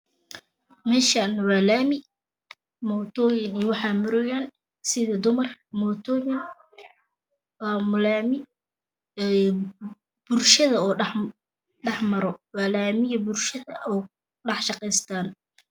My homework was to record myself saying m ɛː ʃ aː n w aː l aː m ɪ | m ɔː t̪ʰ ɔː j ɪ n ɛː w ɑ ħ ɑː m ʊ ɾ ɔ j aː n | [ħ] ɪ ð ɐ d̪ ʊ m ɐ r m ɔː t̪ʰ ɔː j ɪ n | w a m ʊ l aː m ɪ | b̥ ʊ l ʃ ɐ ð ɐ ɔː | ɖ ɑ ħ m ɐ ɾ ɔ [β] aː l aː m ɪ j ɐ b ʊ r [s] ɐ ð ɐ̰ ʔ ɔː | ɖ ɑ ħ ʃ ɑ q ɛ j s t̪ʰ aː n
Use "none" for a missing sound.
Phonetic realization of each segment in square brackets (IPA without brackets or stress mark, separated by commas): s, w, ʃ